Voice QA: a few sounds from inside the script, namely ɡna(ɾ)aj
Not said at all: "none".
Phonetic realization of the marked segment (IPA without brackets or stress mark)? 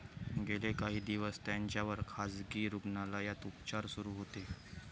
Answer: l